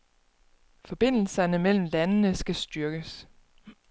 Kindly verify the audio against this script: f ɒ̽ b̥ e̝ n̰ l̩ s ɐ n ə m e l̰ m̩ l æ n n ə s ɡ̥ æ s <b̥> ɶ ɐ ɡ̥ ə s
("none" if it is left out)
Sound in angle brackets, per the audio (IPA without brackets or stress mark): d̥